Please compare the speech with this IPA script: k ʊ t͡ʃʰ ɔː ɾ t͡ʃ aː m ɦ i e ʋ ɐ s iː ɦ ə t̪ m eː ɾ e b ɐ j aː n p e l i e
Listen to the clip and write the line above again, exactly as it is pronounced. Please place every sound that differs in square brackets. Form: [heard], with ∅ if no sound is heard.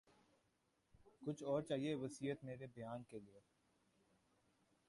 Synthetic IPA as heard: k ʊ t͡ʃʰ ɔː ɾ t͡ʃ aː [∅] ɦ i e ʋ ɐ s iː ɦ ə t̪ m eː ɾ e b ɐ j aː n [k] e l i e